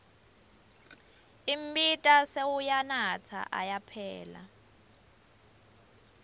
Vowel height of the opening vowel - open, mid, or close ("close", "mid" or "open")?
close